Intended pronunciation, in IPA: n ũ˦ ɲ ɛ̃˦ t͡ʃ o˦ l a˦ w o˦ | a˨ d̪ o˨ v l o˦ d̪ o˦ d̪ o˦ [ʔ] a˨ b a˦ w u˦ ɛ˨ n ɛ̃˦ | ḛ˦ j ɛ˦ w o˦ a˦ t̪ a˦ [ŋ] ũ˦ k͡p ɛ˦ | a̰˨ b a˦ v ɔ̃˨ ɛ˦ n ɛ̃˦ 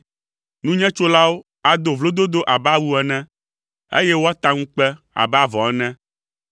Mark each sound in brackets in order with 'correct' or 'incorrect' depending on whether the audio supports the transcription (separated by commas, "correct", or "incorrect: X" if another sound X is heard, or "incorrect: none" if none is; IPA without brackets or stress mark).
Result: correct, correct